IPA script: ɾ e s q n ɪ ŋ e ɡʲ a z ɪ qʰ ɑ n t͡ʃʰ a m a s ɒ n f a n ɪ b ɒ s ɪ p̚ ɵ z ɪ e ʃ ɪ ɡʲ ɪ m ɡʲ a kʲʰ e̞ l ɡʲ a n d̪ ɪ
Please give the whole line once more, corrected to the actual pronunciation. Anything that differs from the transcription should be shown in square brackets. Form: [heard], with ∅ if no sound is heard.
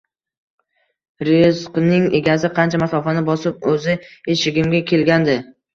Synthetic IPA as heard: ɾ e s q n ɪ ŋ e ɡʲ a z ɪ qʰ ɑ n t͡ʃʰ a m a s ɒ [∅] f a n ɪ b ɒ s ɪ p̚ ɵ z ɪ e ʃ ɪ ɡʲ ɪ m ɡʲ a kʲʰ e̞ l ɡʲ a n d̪ ɪ